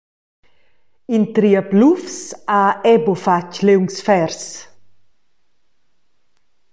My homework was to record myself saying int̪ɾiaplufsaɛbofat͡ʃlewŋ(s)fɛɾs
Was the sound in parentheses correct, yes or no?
yes